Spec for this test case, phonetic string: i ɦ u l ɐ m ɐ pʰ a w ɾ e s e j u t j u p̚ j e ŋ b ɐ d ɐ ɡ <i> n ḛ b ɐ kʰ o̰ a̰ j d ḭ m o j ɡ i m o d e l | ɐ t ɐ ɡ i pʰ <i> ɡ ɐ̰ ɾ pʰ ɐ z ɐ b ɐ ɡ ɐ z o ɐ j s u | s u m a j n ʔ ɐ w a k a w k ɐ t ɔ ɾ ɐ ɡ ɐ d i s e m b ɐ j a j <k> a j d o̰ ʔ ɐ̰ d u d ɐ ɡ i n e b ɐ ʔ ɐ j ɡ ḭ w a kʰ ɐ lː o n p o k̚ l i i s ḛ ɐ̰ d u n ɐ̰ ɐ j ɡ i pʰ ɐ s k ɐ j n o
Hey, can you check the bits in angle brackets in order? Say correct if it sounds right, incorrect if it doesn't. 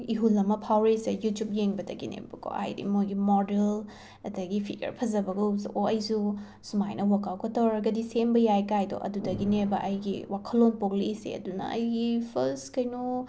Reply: correct, correct, correct

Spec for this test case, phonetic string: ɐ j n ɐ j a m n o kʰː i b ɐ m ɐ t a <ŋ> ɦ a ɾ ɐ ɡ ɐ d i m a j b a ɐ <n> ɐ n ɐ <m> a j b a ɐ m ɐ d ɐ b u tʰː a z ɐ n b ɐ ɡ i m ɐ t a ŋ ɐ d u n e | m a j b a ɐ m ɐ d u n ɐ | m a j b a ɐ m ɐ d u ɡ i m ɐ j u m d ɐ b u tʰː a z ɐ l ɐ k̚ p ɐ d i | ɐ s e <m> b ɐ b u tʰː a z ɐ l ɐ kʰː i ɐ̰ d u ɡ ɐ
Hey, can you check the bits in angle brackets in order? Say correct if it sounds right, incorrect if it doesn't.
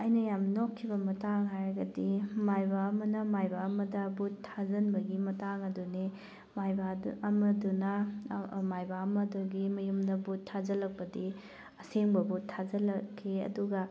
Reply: correct, incorrect: m, correct, incorrect: ŋ

